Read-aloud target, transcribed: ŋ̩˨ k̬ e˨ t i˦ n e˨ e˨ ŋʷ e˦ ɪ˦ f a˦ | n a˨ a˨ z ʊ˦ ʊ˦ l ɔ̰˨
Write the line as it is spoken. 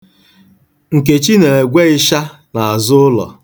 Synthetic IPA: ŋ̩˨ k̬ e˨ t͡ʃ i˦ n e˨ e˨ ɡʷ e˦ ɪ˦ ʃ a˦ | n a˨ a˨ z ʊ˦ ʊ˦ l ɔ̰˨